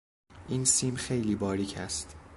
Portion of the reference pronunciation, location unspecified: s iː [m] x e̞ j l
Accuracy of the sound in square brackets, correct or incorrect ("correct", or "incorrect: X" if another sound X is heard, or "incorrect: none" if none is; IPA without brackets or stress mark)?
correct